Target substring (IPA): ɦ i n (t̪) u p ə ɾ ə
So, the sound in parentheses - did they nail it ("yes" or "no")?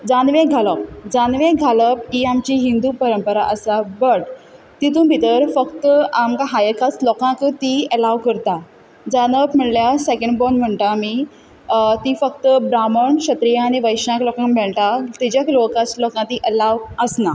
no